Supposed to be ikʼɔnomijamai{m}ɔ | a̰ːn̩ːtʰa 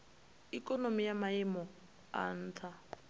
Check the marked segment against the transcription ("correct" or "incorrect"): correct